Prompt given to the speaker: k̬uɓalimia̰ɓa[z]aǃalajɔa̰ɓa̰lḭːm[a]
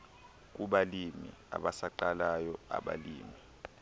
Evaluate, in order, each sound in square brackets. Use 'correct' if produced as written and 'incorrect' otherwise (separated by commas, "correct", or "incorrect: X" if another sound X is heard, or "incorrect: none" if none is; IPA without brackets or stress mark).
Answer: incorrect: s, incorrect: i